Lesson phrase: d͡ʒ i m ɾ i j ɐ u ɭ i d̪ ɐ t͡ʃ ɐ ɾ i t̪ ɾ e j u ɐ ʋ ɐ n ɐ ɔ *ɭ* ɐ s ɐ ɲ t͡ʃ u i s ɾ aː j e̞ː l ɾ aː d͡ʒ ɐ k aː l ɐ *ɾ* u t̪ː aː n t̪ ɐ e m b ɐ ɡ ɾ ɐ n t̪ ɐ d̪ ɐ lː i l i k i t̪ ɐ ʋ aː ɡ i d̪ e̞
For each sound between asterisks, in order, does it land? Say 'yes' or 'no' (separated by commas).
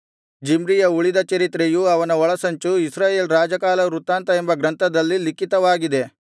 yes, yes